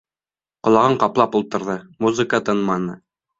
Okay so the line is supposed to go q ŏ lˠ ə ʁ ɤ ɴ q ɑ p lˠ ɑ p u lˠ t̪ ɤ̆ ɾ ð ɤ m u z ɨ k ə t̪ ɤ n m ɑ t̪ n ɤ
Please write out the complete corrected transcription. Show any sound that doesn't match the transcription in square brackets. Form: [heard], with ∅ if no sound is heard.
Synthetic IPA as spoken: q ŏ lˠ [ɑ] ʁ ɤ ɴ q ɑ p lˠ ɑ p u lˠ t̪ ɤ̆ ɾ ð ɤ m u z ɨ k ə t̪ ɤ n m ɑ [∅] n ɤ